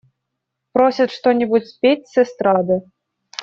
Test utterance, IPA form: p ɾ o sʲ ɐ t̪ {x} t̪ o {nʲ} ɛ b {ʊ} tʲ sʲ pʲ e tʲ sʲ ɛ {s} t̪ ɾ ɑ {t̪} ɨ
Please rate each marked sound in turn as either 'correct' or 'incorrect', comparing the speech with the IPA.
incorrect: ʂ, correct, incorrect: u, correct, incorrect: d̪

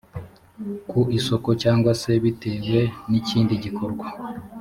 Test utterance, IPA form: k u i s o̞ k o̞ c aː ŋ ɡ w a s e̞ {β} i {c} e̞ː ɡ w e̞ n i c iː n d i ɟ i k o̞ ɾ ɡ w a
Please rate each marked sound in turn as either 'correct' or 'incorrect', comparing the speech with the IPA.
correct, incorrect: t

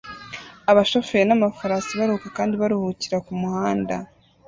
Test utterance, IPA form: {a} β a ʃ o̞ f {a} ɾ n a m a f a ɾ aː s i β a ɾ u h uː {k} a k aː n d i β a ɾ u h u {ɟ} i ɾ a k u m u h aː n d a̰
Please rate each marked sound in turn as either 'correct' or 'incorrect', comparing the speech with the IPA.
correct, incorrect: e, correct, incorrect: c

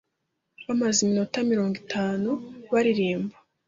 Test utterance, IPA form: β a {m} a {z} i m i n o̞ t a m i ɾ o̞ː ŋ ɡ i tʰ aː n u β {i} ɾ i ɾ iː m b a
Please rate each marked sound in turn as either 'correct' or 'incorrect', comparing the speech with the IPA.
correct, correct, incorrect: a

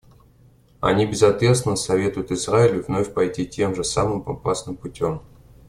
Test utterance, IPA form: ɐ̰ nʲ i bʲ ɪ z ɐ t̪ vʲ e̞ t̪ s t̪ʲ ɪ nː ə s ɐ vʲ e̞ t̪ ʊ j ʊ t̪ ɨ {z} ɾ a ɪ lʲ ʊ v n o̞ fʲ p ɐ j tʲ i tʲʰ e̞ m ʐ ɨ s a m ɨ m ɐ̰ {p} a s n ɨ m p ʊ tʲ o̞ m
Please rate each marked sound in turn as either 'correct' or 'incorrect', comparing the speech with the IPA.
correct, correct

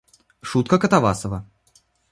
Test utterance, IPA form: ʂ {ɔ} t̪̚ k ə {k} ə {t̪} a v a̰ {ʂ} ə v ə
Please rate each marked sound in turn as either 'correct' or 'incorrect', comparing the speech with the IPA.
incorrect: u, correct, correct, incorrect: s

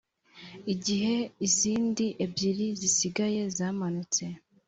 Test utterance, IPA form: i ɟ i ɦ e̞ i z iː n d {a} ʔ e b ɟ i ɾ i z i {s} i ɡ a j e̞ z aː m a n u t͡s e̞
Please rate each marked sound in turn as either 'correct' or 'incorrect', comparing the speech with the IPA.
incorrect: i, correct

